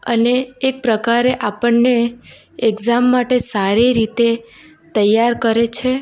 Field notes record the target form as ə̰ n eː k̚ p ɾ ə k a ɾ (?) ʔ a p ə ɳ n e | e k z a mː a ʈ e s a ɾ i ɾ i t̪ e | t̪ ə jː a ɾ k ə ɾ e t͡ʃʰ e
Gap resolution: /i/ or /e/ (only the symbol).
e